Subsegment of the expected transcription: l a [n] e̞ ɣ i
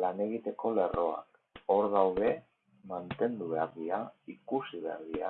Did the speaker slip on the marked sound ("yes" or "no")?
no